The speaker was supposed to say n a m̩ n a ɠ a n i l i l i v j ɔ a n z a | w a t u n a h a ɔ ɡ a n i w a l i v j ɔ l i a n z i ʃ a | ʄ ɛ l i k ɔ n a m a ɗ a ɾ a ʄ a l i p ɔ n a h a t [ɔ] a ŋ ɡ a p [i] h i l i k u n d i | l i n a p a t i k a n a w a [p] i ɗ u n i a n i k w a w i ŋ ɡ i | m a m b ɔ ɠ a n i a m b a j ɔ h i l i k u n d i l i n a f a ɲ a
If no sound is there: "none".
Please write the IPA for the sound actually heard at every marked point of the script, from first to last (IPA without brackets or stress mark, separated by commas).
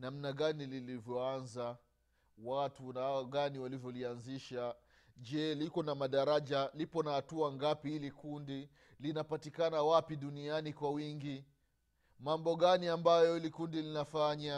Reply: u, i, p